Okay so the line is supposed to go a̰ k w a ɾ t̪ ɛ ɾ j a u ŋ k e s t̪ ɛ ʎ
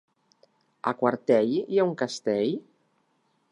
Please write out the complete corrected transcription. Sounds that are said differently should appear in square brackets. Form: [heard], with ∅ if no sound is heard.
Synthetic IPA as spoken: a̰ k w a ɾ t̪ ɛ [ʎ] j a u ŋ k [a] s t̪ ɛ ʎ